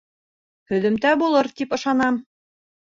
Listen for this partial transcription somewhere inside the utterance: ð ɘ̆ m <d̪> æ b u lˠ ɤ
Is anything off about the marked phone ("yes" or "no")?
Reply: yes